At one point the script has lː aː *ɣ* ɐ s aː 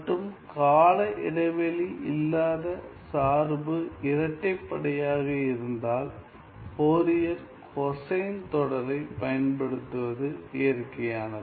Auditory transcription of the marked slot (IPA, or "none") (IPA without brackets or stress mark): ð